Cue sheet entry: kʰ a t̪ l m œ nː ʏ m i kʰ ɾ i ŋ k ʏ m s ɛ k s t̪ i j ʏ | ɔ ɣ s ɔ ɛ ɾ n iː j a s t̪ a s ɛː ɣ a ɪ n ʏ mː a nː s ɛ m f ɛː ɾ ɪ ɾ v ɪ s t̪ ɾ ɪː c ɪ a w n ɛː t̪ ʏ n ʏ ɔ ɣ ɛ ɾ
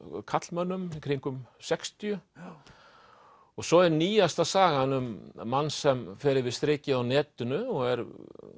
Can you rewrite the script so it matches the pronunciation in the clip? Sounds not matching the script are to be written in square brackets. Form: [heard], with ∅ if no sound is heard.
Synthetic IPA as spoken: kʰ a t̪ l m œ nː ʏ m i kʰ ɾ i ŋ k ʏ m s ɛ k s t̪ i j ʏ | ɔ ɣ s ɔ ɛ ɾ n iː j a s t̪ a s [aː] ɣ a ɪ n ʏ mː a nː s ɛ m f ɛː ɾ ɪ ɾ v ɪ s t̪ ɾ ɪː c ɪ a w n ɛː t̪ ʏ n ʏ ɔ ɣ ɛ ɾ